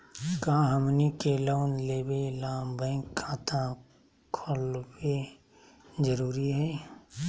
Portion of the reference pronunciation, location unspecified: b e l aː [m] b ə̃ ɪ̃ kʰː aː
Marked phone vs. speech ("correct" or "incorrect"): correct